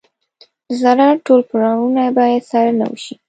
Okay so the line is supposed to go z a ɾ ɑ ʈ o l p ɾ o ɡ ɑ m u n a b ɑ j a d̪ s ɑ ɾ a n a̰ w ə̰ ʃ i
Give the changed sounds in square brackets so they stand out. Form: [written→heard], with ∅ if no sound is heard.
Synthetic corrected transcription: z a ɾ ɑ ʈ o l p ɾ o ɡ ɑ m u n a b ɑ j a d̪ s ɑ ɾ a n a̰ w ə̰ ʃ i